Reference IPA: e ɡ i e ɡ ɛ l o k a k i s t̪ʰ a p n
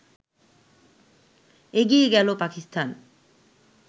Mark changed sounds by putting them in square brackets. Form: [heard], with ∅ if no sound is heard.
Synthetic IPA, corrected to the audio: e ɡ i e ɡ ɛ l o [p] a k i s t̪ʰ a [∅] n